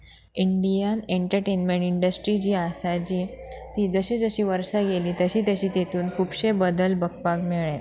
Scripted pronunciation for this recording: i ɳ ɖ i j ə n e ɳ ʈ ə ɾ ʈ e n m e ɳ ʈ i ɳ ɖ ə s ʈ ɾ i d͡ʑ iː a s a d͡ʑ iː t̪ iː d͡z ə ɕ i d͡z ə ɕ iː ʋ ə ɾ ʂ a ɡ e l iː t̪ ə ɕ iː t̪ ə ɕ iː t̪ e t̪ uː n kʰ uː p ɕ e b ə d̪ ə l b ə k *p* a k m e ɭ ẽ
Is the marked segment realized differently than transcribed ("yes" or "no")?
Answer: no